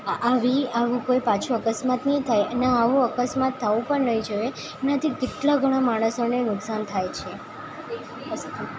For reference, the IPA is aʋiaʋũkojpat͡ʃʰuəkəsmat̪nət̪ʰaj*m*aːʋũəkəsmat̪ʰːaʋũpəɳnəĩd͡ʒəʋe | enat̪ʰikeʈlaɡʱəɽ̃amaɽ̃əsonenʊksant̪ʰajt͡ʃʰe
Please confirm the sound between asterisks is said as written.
no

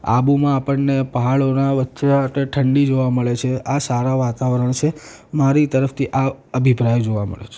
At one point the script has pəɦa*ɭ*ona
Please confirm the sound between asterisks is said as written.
yes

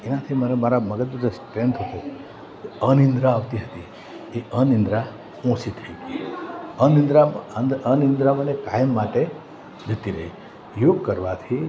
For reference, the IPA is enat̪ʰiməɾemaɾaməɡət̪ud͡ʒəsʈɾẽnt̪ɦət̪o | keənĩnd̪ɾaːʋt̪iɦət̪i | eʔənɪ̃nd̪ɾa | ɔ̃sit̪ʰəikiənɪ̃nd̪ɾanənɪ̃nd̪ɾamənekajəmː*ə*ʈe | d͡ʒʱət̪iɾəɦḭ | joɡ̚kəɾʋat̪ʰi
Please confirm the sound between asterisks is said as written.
no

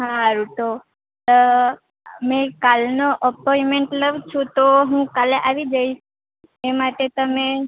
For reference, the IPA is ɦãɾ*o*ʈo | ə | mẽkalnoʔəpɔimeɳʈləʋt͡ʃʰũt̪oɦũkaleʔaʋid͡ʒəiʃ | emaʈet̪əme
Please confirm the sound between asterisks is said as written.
no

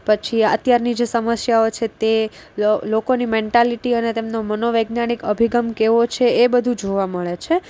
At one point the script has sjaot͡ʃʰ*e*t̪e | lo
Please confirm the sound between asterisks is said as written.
yes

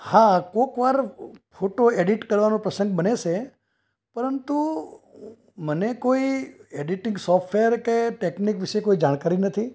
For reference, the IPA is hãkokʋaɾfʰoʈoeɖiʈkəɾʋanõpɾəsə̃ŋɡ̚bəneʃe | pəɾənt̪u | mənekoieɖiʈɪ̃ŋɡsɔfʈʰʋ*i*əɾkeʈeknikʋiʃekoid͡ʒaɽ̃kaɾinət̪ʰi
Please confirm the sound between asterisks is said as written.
no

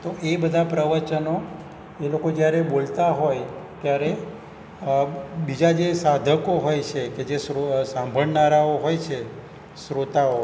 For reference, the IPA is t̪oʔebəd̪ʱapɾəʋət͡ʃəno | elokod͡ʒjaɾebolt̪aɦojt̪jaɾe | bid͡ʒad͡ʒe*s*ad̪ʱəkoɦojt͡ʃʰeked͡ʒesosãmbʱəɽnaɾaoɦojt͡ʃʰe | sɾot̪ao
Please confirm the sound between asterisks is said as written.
yes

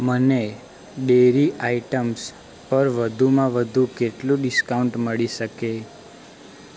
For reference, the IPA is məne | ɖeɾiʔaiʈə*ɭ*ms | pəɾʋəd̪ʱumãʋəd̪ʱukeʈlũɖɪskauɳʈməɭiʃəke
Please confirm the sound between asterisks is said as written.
no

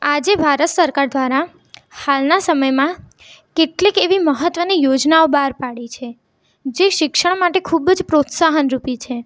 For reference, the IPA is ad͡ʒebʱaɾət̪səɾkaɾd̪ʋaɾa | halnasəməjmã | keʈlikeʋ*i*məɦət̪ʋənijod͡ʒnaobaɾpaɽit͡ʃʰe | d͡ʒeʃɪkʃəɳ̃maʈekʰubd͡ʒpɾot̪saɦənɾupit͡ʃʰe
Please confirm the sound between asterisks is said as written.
yes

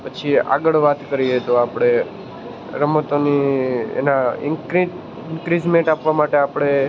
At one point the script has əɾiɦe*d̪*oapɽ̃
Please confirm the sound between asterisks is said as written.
no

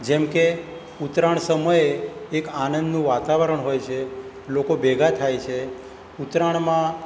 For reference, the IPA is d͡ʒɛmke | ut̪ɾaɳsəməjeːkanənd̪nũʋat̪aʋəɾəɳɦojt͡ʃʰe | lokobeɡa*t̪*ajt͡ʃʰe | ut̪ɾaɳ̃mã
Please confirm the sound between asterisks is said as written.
no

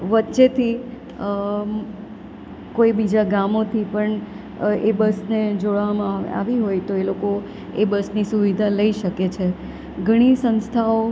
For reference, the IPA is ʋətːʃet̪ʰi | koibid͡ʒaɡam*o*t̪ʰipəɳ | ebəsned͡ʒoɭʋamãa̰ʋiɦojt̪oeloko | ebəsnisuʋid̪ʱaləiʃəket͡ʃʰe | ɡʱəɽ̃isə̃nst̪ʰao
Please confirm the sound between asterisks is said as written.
yes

